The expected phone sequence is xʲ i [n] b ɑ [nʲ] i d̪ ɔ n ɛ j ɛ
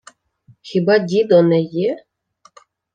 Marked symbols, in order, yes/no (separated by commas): no, no